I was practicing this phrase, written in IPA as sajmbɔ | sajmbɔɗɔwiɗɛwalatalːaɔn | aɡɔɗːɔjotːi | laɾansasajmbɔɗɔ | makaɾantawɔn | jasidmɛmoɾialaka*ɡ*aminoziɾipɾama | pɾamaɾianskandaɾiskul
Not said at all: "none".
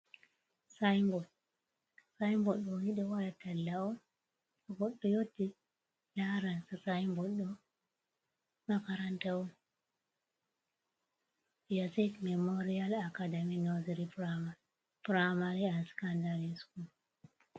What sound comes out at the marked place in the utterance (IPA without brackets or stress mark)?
d